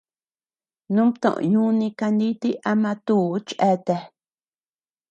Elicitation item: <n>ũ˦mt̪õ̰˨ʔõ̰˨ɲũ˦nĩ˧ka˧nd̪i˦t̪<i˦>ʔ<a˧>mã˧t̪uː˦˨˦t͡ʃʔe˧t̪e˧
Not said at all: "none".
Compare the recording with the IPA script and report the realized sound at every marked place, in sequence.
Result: n, i˦, a˧

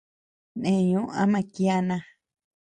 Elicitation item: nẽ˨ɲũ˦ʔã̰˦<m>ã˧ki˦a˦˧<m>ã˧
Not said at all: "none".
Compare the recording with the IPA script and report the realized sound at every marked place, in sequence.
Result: m, n

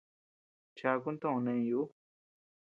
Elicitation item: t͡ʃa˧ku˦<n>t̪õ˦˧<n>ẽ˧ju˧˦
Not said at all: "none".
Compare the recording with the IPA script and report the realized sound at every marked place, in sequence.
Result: n, n

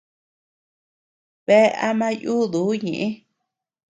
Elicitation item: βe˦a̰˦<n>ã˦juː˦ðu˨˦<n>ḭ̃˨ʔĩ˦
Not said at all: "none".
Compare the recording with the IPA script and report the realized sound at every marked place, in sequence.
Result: m, ɲ

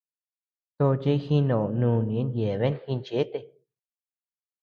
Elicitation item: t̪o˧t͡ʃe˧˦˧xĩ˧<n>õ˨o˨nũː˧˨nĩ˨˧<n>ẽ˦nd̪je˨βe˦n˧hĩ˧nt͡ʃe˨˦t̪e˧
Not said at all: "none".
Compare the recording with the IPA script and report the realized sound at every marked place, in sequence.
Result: n, none

